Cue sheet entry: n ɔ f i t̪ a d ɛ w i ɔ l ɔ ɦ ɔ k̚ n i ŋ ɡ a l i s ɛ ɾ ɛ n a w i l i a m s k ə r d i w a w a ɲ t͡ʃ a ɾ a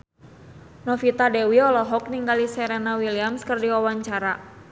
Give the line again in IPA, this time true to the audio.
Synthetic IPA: n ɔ f i t̪ a d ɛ w i ɔ l ɔ ɦ ɔ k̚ n i ŋ ɡ a l i s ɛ ɾ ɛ n a w i l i a m s k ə r d i w a w a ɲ t͡ʃ a ɾ a

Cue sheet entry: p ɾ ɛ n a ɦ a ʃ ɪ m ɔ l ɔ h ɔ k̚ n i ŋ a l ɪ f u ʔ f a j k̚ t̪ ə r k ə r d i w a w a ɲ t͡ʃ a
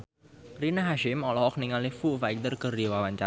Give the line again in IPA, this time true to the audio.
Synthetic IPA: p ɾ i n a ɦ a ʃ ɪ m ɔ l ɔ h ɔ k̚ n i ŋ a l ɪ f u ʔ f a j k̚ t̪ ə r k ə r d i w a w a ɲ t͡ʃ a

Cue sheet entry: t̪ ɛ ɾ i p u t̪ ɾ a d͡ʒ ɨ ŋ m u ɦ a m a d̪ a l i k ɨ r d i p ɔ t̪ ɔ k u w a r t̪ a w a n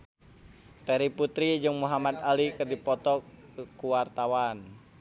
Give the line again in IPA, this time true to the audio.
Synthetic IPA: t̪ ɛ ɾ i p u t̪ ɾ i d͡ʒ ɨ ŋ m u ɦ a m a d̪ a l i k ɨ r d i p ɔ t̪ ɔ k u w a r t̪ a w a n

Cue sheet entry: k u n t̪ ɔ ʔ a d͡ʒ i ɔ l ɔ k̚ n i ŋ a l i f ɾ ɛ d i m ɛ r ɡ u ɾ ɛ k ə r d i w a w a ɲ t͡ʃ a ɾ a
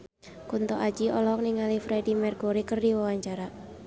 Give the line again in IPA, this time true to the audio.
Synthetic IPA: k u n t̪ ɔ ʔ a d͡ʒ i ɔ l ɔ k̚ n i ŋ a l i f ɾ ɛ d i m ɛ r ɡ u ɾ i k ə r d i w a w a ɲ t͡ʃ a ɾ a

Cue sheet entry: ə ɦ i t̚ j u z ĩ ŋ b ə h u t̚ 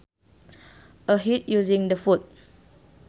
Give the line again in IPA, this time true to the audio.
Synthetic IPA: ə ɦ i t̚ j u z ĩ ŋ d ə f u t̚

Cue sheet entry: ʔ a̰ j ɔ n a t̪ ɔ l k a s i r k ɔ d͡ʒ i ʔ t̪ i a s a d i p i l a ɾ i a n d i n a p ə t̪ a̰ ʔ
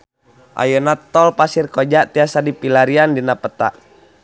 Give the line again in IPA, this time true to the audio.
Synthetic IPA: ʔ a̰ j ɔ n a t̪ ɔ l p a s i r k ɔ d͡ʒ a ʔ t̪ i a s a d i p i l a ɾ i a n d i n a p ə t̪ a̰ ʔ

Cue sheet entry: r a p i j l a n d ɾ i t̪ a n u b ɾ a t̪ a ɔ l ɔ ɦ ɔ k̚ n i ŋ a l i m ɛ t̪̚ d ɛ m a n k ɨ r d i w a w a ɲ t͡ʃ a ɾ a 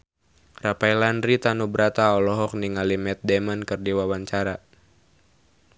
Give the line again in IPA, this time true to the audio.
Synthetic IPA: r a p a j l a n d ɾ i t̪ a n u b ɾ a t̪ a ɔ l ɔ ɦ ɔ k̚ n i ŋ a l i m ɛ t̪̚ d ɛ m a n k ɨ r d i w a w a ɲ t͡ʃ a ɾ a

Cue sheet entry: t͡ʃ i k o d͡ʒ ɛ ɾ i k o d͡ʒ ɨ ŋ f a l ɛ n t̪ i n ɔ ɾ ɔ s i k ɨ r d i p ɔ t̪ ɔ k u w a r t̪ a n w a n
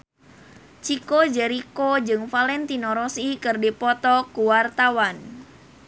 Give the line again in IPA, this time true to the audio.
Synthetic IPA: t͡ʃ i k o d͡ʒ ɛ ɾ i k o d͡ʒ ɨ ŋ f a l ɛ n t̪ i n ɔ ɾ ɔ s i k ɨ r d i p ɔ t̪ ɔ k u w a r t̪ a w a n

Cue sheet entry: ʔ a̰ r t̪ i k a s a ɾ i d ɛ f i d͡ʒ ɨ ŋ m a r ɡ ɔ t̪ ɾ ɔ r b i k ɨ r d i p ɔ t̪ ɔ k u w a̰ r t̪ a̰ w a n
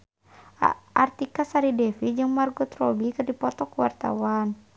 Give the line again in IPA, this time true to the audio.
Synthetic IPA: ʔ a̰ r t̪ i k a s a ɾ i d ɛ f i d͡ʒ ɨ ŋ m a r ɡ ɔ t̪ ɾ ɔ b i k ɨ r d i p ɔ t̪ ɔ k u w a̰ r t̪ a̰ w a n

